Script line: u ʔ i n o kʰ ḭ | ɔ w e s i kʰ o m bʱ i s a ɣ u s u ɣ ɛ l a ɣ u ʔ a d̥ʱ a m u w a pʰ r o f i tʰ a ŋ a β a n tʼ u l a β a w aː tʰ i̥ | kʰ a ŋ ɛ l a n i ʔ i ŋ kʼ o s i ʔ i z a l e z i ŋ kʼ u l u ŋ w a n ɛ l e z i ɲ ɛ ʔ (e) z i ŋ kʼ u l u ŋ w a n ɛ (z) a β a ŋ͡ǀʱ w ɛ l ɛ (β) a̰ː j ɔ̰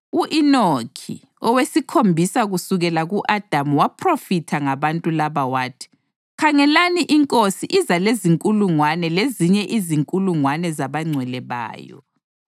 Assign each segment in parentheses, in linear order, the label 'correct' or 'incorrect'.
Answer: incorrect, correct, correct

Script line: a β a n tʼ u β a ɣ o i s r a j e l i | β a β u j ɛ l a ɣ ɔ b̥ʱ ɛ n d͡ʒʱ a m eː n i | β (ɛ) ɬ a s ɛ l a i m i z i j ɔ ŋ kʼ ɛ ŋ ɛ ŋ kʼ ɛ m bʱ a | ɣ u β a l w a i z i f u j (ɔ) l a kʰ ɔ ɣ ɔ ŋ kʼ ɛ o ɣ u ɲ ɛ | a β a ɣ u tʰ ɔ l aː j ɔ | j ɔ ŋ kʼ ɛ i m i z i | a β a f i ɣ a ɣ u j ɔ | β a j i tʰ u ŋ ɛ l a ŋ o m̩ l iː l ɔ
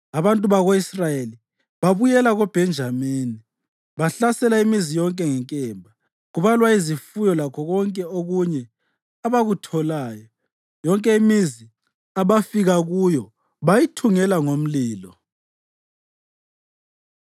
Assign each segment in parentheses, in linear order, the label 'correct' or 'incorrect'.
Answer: incorrect, correct

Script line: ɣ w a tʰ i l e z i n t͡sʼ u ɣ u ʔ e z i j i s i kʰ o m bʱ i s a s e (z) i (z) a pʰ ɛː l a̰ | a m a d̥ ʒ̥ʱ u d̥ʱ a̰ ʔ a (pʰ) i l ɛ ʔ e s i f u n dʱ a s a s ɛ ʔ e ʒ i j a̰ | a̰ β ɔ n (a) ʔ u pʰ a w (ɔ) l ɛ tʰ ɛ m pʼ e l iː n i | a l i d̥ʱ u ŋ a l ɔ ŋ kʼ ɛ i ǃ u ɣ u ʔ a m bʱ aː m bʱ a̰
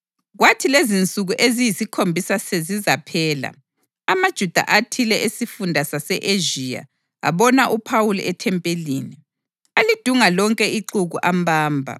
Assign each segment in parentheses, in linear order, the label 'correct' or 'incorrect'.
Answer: correct, correct, incorrect, correct, incorrect

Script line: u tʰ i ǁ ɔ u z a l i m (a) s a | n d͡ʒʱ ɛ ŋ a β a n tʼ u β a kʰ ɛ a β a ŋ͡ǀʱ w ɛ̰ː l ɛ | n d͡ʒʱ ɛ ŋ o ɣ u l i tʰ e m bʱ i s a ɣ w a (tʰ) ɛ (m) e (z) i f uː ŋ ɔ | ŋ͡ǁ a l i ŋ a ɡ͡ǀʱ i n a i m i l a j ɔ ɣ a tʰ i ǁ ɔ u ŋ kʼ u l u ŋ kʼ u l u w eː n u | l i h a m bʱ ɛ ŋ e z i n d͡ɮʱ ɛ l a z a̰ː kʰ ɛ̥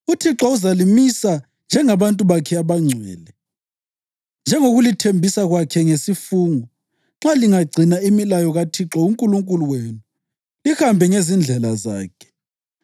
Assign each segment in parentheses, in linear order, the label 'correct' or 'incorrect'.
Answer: incorrect, incorrect, incorrect, incorrect

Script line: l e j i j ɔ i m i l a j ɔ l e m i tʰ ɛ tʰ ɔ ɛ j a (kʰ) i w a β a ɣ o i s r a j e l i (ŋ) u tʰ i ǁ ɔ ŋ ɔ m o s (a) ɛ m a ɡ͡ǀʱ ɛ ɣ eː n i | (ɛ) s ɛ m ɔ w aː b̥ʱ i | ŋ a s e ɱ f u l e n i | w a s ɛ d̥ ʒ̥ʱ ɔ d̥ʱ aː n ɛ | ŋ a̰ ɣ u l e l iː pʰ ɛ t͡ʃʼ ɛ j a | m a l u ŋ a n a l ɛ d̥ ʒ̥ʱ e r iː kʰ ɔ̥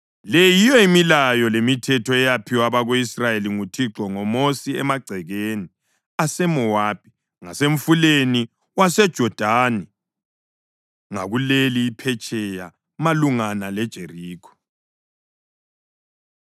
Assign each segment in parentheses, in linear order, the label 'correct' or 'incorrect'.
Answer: incorrect, correct, incorrect, incorrect

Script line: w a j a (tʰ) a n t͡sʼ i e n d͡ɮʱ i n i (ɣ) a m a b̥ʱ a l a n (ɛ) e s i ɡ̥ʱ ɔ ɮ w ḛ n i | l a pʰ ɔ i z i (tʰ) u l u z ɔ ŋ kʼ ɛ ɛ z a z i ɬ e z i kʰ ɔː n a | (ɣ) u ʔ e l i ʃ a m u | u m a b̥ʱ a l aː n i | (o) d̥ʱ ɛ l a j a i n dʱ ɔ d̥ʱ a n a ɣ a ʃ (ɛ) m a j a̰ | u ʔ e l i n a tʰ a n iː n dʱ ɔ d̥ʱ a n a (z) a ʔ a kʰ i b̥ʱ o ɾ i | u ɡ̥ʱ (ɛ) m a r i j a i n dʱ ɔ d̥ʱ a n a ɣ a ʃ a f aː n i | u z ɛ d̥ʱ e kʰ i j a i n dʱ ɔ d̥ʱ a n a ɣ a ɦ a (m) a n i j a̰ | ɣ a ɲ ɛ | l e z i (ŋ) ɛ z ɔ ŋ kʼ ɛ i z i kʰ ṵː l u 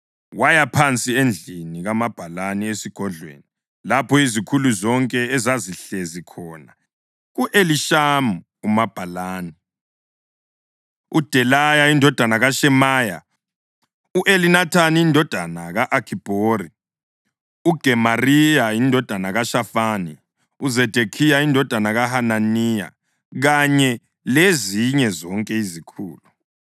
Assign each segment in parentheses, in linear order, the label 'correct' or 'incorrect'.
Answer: incorrect, correct, incorrect, incorrect, correct, incorrect, correct, incorrect, correct, incorrect, incorrect

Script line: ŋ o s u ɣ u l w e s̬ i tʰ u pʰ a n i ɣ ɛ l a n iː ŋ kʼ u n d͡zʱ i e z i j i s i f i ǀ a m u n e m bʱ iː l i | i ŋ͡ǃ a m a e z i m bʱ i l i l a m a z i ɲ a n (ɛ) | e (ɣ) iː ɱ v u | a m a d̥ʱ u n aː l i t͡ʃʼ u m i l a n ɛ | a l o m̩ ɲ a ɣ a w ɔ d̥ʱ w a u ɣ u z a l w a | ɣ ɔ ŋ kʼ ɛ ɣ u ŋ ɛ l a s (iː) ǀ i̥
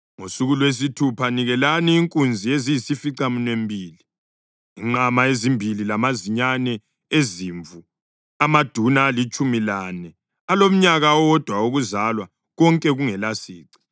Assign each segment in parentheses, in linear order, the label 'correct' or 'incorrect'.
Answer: correct, incorrect, correct

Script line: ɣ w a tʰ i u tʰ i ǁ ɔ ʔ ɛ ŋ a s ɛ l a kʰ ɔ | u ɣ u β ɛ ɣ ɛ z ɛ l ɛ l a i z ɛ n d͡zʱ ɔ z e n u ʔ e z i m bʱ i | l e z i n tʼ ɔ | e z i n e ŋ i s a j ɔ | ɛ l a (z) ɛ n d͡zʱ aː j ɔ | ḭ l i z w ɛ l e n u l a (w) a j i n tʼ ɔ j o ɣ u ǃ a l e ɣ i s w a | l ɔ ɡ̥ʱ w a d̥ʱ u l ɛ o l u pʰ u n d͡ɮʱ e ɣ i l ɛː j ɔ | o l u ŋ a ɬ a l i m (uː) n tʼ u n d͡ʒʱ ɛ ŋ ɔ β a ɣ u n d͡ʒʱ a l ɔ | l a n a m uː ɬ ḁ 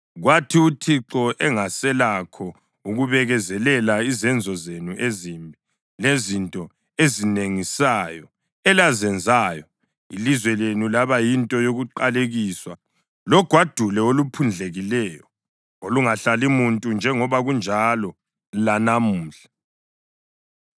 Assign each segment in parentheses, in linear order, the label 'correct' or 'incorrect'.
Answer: correct, incorrect, incorrect

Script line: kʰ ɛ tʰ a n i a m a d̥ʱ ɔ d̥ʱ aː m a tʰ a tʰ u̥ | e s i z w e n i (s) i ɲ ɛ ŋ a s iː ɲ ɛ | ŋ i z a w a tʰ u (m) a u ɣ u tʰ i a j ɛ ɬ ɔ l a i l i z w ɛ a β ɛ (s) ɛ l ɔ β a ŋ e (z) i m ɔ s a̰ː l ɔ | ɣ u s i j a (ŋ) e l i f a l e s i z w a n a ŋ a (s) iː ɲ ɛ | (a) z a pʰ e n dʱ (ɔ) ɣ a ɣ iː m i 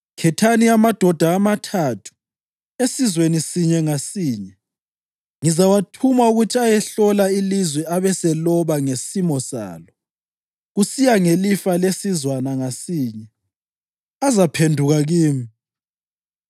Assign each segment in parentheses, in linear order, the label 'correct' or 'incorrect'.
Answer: correct, correct, correct, incorrect, correct, correct, correct, incorrect

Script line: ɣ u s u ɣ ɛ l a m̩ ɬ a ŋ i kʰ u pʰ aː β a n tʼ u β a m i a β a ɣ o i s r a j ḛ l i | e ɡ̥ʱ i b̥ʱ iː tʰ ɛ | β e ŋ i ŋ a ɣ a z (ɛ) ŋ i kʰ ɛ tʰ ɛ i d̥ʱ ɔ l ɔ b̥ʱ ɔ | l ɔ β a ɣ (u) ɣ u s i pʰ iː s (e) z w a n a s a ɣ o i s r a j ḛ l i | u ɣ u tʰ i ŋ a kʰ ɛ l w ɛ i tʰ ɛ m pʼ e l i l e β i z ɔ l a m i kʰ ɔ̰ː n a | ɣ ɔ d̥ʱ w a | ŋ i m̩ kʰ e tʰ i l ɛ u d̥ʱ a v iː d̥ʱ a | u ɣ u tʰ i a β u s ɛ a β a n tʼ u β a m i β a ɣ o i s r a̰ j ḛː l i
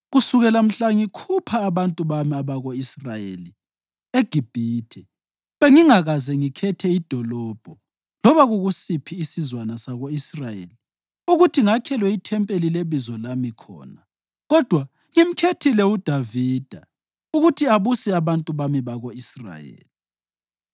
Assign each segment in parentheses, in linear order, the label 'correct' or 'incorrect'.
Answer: correct, correct, incorrect

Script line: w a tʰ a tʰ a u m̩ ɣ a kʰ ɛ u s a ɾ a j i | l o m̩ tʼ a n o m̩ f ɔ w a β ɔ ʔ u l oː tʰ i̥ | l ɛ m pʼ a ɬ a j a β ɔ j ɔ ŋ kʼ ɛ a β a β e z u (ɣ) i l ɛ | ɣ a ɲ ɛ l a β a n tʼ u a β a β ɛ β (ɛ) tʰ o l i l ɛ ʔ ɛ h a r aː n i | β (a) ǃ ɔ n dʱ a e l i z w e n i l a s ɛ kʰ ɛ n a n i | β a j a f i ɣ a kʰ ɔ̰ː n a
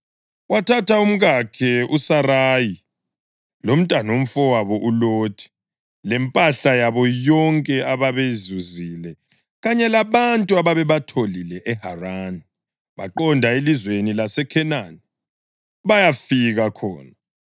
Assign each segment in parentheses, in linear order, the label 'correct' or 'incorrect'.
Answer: incorrect, incorrect, correct

